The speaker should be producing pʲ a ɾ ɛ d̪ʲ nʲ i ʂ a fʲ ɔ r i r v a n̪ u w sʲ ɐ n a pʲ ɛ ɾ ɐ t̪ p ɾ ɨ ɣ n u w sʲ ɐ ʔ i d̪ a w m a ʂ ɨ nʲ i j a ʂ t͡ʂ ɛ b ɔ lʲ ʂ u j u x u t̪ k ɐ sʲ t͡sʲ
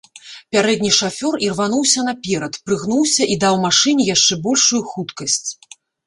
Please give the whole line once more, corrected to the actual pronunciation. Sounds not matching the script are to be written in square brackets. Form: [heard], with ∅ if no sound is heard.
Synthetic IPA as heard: pʲ a ɾ ɛ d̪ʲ nʲ i ʂ a fʲ ɔ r i r v a n̪ u w sʲ ɐ n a pʲ ɛ ɾ ɐ t̪ p ɾ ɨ ɣ n u w sʲ ɐ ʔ i d̪ a w m a ʂ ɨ nʲ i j a ʂ t͡ʂ ɛ b ɔ lʲ ʂ u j u x u t̪ k ɐ sʲ t͡sʲ